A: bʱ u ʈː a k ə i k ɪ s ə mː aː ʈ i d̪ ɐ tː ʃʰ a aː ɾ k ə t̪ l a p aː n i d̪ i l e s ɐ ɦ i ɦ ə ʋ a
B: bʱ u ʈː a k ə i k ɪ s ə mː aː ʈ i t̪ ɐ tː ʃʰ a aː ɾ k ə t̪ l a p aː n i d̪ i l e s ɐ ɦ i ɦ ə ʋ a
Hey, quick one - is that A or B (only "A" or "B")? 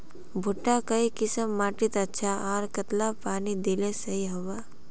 B